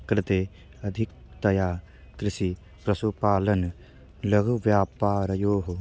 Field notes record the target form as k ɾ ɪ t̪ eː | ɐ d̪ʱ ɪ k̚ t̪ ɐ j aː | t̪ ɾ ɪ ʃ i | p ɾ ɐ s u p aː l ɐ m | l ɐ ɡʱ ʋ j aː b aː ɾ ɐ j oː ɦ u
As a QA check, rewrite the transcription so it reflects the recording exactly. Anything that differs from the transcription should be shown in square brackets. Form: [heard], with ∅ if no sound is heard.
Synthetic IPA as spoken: k ɾ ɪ t̪ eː | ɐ d̪ʱ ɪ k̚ t̪ ɐ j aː | t̪ ɾ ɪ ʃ i | p ɾ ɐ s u p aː l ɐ [n] | l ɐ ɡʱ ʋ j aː [p] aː ɾ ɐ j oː ɦ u

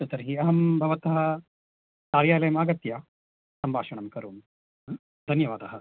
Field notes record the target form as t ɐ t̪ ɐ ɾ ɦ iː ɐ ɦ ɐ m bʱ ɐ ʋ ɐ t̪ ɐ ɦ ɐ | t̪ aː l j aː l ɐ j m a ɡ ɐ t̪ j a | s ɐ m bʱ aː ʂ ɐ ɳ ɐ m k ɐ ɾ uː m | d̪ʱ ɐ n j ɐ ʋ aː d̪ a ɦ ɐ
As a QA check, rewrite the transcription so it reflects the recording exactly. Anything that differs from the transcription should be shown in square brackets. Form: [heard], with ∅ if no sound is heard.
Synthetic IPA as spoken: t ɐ t̪ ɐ ɾ ɦ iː ɐ ɦ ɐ m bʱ ɐ ʋ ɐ t̪ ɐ ɦ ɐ | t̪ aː [ɾ] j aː l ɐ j m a ɡ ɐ t̪ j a | s ɐ m bʱ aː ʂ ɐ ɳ ɐ m k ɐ ɾ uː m | d̪ʱ ɐ n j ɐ ʋ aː d̪ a ɦ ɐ

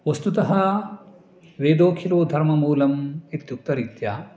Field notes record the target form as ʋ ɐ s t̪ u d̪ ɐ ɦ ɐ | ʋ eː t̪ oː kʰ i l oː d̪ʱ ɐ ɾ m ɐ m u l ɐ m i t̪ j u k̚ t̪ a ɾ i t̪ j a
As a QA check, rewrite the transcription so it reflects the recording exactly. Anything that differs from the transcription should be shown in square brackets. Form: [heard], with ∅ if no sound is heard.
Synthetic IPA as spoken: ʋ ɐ s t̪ u [t̪] ɐ ɦ ɐ | ʋ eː [d̪] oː kʰ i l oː d̪ʱ ɐ ɾ m ɐ m [uː] l ɐ m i t̪ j u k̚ t̪ [ɐ] ɾ i t̪ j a

